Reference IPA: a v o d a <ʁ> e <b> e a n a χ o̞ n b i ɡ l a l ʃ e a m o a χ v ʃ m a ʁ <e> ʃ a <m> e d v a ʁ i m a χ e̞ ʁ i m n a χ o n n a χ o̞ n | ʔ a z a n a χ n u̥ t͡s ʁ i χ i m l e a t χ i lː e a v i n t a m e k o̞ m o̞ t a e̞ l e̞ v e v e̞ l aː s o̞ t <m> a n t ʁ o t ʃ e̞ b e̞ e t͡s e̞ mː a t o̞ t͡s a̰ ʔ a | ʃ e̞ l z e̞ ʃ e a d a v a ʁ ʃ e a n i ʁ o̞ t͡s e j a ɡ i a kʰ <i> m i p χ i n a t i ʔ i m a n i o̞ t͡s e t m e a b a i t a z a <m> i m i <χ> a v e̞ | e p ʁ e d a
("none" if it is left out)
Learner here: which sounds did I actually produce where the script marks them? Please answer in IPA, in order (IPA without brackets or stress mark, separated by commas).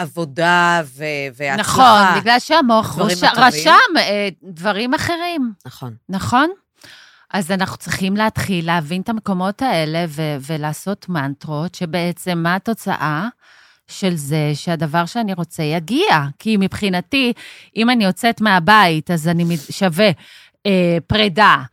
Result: v, v, a, m, m, i, n, ʃ